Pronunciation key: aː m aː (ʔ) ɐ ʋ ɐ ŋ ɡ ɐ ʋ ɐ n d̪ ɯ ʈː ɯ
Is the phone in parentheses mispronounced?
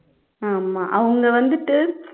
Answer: no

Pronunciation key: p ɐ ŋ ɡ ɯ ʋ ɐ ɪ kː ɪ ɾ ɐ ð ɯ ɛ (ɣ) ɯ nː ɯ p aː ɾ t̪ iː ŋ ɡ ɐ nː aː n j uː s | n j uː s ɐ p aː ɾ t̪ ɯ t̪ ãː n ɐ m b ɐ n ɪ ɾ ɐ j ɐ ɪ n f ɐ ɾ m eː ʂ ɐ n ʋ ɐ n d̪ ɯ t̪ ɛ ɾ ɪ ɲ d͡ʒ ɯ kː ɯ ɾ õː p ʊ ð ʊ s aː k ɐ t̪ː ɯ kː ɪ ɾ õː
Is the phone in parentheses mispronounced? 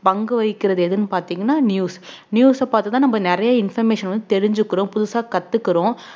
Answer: yes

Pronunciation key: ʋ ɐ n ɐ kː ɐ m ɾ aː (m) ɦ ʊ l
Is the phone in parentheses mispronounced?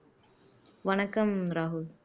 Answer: yes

